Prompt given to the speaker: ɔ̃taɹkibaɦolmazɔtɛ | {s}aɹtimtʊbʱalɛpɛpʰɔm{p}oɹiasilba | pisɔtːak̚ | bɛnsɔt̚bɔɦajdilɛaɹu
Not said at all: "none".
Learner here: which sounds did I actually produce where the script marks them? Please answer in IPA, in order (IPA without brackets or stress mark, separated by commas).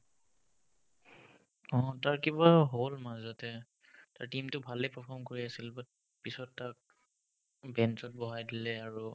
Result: t, k